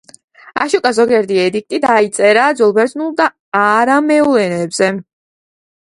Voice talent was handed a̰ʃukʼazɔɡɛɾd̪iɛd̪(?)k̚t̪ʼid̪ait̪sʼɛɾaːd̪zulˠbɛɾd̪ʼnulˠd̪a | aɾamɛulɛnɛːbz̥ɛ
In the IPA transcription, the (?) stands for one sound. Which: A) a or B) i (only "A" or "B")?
B